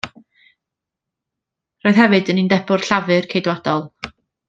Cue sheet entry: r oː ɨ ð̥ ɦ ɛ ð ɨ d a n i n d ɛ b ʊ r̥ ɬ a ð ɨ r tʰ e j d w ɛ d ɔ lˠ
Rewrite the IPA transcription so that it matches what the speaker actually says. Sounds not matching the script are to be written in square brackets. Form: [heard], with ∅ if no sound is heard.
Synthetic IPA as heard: r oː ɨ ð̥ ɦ ɛ [v] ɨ d [ə] n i n d ɛ b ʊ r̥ ɬ a [v] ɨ r [kʰ] e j d w [a] d ɔ lˠ